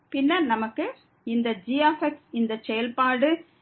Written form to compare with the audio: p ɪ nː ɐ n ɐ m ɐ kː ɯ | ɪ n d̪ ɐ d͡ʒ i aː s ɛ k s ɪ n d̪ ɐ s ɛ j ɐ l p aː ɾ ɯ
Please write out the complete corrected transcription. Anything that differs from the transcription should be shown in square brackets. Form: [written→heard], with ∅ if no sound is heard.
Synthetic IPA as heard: p ɪ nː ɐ n ɐ m ɐ kː ɯ | ɪ n d̪ ɐ d͡ʒ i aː [s→f] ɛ k s ɪ n d̪ ɐ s ɛ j ɐ l p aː [ɾ→ɽ] ɯ